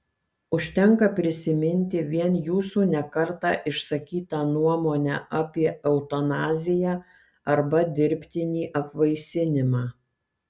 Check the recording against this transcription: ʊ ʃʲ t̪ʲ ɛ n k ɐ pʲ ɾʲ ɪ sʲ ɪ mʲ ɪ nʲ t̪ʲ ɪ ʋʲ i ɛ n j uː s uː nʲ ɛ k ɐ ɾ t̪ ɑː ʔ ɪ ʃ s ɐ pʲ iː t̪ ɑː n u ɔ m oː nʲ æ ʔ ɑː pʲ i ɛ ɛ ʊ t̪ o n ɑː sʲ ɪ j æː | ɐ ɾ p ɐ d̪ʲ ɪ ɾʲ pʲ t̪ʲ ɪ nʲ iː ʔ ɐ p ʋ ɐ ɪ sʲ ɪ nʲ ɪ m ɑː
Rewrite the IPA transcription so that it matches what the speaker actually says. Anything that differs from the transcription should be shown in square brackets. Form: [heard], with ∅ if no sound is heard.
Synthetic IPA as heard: ʊ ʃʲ t̪ʲ ɛ [ŋ] k ɐ pʲ ɾʲ ɪ sʲ ɪ mʲ ɪ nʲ t̪ʲ ɪ ʋʲ i ɛ n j uː s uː nʲ ɛ k ɐ ɾ t̪ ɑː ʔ ɪ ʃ s ɐ [kʲ] iː t̪ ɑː n u ɔ m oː nʲ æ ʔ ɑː pʲ i ɛ ɛ ʊ t̪ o n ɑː [zʲ] ɪ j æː | ɐ ɾ [b] ɐ d̪ʲ ɪ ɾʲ pʲ t̪ʲ ɪ nʲ iː ʔ ɐ p ʋ ɐ ɪ sʲ ɪ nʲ ɪ m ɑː